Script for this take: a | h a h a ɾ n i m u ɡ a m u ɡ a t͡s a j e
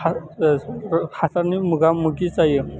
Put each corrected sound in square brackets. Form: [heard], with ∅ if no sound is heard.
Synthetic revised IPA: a | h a [s] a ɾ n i m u ɡ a m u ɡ [i] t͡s a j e